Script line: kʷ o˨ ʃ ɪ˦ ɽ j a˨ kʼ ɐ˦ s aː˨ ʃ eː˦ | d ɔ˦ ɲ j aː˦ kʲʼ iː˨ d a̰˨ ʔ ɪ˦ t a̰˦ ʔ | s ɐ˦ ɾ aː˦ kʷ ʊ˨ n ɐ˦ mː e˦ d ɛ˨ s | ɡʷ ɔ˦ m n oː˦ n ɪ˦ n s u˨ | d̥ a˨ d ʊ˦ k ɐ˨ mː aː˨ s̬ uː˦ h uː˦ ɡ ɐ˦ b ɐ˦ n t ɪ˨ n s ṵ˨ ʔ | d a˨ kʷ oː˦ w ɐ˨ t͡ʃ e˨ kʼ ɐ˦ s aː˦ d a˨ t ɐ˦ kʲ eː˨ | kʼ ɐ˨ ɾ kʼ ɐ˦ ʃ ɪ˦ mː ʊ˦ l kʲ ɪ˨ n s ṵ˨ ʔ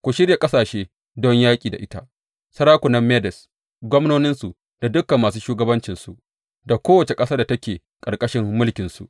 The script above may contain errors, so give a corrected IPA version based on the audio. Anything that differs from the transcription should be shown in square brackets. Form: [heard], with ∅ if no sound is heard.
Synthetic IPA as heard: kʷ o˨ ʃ ɪ˦ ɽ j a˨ kʼ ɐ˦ s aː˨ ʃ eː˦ | d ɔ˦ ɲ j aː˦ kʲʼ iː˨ d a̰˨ ʔ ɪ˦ t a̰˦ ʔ | s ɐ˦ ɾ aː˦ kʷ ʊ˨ n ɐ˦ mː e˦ d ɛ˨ s | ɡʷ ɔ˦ m n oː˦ n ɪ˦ n s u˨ | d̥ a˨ d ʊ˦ k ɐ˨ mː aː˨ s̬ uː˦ [ʃ] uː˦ ɡ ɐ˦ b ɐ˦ n [t͡ʃ] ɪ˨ n s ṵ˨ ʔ | d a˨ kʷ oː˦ w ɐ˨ t͡ʃ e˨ kʼ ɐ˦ s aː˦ d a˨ t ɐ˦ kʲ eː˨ | kʼ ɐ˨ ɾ kʼ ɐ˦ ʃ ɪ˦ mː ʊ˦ l kʲ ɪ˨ n s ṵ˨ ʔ

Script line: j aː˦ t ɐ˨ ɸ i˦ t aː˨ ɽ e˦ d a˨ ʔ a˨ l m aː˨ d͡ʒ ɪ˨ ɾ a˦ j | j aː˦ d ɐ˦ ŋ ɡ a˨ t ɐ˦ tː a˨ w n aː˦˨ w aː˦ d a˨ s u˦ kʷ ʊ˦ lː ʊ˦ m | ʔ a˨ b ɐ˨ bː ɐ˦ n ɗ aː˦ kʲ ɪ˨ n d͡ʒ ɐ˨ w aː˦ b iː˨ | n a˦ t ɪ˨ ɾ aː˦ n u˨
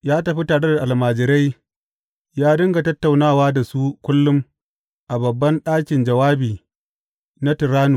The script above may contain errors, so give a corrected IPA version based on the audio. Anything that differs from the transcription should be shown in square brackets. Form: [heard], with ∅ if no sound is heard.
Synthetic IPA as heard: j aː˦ t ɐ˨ ɸ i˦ t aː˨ ɽ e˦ d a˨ ʔ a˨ l m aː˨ d͡ʒ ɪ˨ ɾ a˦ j | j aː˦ d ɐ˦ ŋ ɡ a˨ t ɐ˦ tː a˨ w n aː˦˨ w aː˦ d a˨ s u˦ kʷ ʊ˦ lː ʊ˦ m | ʔ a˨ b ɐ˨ bː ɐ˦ n ɗ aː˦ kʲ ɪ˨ n d͡ʒ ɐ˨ w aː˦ b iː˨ | n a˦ t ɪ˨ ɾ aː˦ n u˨

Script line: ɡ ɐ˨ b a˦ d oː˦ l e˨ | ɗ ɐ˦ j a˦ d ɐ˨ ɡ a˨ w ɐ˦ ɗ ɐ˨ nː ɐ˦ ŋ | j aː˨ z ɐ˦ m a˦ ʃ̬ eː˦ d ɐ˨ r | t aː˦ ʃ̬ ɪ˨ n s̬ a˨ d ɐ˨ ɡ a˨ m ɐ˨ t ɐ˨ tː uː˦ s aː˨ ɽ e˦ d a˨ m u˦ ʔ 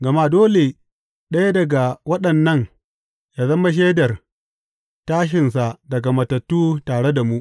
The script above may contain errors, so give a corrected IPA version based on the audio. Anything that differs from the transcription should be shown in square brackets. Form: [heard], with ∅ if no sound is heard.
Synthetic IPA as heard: ɡ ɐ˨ [m] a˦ d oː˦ l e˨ | ɗ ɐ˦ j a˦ d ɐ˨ ɡ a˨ w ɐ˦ ɗ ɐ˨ nː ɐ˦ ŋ | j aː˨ z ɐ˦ m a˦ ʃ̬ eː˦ d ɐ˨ r | t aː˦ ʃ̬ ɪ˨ n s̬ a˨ d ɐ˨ ɡ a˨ m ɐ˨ t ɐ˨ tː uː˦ [t] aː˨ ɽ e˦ d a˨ m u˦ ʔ

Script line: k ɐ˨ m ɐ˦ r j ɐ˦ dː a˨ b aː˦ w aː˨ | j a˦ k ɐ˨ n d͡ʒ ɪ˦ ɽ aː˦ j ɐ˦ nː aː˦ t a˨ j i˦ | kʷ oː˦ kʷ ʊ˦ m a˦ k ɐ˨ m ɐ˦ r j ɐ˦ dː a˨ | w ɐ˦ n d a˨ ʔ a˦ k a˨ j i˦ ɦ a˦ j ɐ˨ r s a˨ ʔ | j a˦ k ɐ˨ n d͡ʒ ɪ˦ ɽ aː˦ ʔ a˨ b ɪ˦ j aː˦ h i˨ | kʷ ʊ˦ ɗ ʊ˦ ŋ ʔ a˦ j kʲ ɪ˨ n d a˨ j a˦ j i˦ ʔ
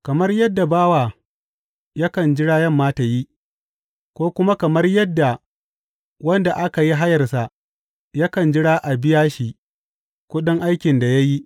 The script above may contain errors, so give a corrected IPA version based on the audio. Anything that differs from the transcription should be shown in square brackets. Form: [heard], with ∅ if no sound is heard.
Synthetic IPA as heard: k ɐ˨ m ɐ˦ r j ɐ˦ dː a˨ b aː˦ w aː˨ | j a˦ k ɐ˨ n d͡ʒ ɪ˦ ɽ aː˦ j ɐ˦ [mː] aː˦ t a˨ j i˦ | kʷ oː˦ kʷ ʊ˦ m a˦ k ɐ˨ m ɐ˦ r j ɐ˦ dː a˨ | w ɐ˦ n d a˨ ʔ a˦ k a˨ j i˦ ɦ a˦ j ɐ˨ r s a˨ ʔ | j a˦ k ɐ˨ n d͡ʒ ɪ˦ ɽ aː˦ ʔ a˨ b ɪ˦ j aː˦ [ʃ] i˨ | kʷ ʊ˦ ɗ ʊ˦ ŋ ʔ a˦ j kʲ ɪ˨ n d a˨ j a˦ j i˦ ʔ

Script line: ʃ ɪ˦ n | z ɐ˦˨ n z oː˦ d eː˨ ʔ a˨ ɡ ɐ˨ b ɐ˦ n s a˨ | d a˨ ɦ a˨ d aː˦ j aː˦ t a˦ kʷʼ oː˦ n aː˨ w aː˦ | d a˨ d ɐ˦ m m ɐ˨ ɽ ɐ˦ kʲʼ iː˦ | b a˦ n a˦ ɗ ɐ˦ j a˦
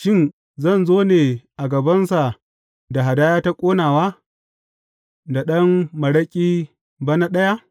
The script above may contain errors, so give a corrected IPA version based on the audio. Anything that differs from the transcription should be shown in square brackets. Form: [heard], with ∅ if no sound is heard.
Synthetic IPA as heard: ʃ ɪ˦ n | z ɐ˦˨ n z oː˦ [n] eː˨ ʔ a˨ ɡ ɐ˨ b ɐ˦ n s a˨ | d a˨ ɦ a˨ d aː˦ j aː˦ t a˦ kʷʼ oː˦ n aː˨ w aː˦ | d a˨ [ɗ] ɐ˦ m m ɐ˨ ɽ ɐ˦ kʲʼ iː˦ | b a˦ n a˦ ɗ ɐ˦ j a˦

